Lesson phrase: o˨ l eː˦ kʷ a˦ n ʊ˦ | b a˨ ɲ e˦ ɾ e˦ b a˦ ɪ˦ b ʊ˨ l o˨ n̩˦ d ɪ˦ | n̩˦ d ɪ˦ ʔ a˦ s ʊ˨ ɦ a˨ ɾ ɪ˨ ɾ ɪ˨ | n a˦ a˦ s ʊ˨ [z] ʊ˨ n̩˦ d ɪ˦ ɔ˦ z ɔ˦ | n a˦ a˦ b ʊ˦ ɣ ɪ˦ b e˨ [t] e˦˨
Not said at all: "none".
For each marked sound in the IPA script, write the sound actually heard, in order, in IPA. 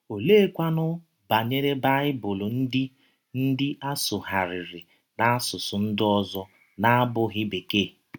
s, k

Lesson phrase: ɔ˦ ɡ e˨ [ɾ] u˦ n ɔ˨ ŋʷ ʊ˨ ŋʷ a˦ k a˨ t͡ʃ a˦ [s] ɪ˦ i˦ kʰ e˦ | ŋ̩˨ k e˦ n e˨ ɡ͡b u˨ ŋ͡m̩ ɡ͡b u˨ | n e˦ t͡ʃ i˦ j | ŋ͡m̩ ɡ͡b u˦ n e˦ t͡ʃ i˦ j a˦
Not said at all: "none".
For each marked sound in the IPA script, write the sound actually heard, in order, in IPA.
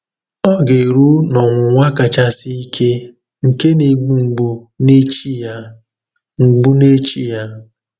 ɾ, s

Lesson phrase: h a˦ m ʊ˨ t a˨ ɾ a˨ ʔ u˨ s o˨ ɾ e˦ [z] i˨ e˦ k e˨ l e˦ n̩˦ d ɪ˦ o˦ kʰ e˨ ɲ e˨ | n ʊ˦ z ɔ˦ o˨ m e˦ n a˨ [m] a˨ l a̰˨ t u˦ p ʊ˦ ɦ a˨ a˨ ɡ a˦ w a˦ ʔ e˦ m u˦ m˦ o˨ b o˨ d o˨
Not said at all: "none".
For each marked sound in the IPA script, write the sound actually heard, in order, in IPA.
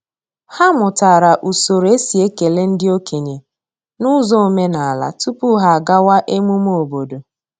s, none

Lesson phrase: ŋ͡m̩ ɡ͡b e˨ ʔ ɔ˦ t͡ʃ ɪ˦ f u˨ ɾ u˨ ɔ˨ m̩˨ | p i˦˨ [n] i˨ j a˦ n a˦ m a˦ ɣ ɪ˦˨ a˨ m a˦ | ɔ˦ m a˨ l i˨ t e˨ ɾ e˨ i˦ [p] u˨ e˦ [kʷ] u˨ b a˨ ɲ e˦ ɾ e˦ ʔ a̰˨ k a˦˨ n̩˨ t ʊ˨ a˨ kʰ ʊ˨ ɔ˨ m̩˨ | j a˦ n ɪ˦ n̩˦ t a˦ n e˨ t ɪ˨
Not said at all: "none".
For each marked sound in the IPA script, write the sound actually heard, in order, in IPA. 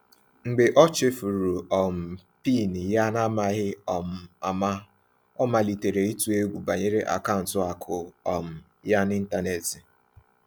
n, t, ɡʷ

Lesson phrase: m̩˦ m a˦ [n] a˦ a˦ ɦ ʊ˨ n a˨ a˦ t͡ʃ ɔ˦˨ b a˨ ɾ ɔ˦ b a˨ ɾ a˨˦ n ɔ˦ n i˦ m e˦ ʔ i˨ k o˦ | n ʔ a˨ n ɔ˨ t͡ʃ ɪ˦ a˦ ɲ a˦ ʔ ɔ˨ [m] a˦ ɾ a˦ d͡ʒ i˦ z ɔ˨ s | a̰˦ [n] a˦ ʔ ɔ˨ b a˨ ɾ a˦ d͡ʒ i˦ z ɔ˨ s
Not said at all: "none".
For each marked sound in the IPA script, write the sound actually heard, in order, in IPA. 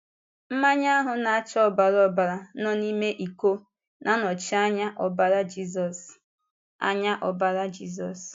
ɲ, b, ɲ

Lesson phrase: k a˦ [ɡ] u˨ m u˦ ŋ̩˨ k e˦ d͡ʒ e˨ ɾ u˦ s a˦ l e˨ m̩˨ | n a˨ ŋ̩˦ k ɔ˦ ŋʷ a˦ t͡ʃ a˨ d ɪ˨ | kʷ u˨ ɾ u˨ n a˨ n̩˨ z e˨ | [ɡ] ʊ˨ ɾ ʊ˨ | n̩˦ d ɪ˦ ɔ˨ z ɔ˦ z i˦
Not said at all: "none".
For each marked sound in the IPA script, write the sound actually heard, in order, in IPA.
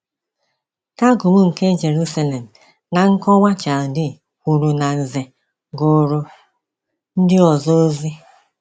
ɡ, ɡ

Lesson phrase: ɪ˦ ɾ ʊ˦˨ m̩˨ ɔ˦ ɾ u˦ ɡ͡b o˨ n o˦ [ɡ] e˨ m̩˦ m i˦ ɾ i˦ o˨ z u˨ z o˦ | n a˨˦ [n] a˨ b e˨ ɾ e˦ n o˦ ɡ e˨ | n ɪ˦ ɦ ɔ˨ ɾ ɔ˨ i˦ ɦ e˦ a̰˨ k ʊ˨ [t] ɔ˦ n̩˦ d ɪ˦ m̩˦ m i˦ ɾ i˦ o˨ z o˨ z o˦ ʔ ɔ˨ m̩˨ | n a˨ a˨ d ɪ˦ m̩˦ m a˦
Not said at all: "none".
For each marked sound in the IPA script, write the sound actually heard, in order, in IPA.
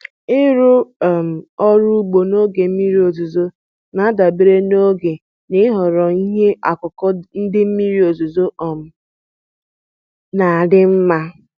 ɡ, d, k

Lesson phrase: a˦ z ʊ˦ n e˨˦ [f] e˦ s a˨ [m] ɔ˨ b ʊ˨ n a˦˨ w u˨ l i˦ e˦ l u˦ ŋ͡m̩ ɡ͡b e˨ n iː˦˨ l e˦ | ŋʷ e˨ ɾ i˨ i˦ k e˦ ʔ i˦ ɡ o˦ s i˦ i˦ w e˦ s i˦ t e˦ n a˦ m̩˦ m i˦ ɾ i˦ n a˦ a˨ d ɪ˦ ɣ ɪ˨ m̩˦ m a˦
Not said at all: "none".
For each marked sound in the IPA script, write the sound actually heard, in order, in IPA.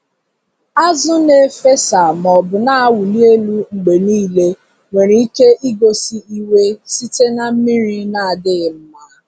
f, m

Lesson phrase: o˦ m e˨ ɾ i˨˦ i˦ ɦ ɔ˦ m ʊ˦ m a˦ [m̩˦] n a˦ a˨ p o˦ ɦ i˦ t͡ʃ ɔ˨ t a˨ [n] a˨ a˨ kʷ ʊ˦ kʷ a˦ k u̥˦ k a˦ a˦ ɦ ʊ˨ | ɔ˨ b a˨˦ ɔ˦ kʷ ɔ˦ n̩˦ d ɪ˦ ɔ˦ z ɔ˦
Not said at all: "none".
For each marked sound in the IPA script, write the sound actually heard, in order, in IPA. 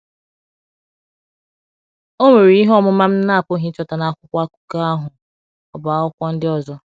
m̩˦, n

